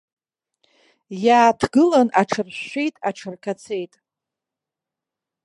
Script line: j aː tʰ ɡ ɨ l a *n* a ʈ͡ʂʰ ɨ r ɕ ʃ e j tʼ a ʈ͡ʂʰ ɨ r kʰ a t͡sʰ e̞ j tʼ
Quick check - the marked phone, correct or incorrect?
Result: correct